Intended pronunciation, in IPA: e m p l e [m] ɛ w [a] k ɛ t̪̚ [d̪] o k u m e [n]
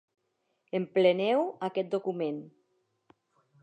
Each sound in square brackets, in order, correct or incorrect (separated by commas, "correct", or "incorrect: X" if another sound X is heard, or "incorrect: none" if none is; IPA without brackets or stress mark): incorrect: n, correct, correct, correct